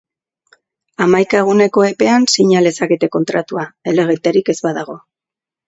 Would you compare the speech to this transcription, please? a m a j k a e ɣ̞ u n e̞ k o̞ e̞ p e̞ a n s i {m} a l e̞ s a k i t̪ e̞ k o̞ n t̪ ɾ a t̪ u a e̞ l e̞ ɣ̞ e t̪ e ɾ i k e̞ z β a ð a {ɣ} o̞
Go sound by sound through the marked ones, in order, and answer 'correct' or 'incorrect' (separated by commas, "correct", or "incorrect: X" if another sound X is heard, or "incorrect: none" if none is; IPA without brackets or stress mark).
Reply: incorrect: ɲ, correct